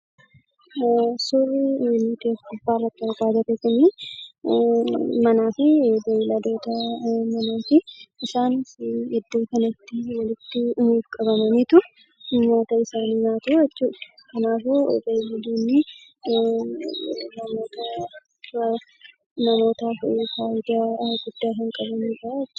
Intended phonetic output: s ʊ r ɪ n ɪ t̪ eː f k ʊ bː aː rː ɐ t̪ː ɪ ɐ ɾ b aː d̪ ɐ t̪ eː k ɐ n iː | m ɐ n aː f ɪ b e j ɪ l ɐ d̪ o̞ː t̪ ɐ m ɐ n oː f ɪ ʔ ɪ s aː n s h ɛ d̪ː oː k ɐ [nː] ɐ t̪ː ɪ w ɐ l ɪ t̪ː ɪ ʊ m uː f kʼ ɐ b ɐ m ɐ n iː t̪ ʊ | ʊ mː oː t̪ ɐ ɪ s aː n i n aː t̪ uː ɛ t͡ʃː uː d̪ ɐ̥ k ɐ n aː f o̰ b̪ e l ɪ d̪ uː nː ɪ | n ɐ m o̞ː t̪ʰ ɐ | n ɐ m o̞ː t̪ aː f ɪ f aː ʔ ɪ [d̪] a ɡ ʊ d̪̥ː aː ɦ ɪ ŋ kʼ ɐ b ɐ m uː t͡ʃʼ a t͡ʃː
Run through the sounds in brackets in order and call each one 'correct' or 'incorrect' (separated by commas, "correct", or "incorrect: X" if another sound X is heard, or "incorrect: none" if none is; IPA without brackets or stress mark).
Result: incorrect: n, correct